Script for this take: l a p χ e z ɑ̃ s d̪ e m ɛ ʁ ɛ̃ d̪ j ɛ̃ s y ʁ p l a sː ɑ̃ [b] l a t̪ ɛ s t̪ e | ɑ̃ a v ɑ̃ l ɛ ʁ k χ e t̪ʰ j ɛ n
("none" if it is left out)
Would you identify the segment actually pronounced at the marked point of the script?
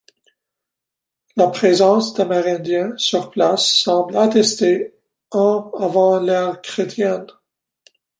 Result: b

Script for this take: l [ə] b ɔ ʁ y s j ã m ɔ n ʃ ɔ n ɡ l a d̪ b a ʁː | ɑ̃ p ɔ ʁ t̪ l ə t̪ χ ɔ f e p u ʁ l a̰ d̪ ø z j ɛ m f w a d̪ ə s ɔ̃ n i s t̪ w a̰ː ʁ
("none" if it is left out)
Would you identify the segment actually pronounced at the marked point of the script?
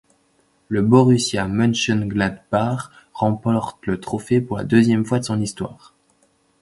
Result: ə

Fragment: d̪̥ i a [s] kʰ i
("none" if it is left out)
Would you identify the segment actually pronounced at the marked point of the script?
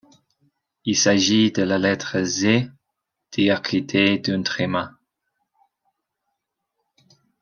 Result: none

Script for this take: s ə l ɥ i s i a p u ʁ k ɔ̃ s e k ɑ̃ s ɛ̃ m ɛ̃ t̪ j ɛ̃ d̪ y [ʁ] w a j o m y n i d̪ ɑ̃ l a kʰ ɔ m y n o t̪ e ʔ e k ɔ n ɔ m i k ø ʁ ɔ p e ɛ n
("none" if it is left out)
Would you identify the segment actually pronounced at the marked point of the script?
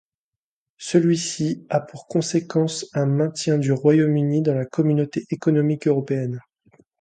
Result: ʁ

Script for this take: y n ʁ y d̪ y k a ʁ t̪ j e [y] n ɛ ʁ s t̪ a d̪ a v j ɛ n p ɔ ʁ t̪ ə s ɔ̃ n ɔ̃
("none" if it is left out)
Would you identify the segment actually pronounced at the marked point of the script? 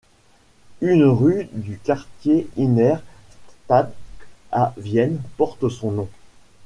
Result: i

